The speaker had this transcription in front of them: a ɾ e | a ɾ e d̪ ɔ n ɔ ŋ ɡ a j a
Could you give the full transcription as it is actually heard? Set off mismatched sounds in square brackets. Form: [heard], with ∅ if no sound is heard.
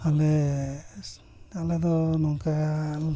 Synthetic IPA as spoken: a [l] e | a [l] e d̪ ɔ n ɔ ŋ [k] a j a